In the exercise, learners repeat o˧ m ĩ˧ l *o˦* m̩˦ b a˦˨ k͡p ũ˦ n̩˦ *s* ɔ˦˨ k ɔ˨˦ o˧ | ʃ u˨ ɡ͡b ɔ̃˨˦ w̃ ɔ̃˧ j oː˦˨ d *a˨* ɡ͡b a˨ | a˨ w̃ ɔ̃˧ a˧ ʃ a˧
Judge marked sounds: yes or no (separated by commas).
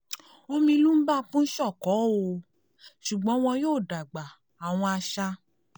no, no, yes